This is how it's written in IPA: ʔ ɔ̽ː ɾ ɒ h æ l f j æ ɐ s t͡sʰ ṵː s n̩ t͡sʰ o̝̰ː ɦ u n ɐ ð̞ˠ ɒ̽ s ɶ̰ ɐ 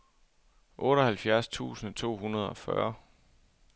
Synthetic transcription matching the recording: ʔ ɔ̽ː ɾ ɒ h æ l f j æ ɐ s t͡sʰ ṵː s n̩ t͡sʰ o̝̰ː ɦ u n ɐ ð̞ˠ ɒ̽ f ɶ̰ ɐ